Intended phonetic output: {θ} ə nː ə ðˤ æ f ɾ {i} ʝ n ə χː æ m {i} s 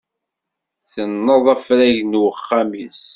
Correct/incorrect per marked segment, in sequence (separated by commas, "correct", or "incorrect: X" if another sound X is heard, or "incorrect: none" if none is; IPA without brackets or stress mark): correct, incorrect: æ, correct